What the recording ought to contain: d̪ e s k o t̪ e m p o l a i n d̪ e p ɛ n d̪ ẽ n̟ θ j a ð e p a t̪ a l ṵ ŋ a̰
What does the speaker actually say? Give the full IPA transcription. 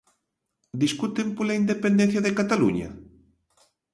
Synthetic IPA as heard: d̪ i s k u t̪ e m p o l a i n d̪ e p e n d̪ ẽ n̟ θ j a ð e k a t̪ a l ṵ ɲ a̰